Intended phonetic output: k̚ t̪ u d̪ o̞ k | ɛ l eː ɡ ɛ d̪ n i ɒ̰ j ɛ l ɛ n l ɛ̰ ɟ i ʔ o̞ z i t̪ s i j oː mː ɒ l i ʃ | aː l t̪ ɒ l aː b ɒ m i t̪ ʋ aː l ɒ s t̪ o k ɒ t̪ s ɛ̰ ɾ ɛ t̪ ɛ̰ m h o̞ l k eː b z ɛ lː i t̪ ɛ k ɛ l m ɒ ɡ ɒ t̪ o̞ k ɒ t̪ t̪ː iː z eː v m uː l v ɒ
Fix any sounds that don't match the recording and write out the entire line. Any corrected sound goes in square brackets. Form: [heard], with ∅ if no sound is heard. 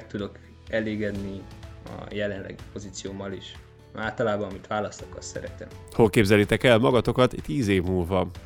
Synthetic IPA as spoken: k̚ t̪ u d̪ o̞ k | ɛ l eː ɡ ɛ d̪ n i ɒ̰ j ɛ l ɛ n l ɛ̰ [ɡ] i [p] o̞ z i t̪ s i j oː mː ɒ l i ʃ | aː l t̪ ɒ l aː b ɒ m i t̪ ʋ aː l ɒ s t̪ o k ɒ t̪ s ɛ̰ ɾ ɛ t̪ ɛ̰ m h o̞ l k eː b z ɛ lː i t̪ ɛ k ɛ l m ɒ ɡ ɒ t̪ o̞ k ɒ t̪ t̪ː iː z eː v m uː l v ɒ